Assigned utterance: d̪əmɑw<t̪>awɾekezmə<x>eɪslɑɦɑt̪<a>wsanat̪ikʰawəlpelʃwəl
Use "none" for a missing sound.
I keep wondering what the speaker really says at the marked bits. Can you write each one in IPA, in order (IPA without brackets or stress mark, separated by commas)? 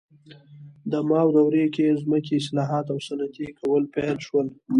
d̪, k, a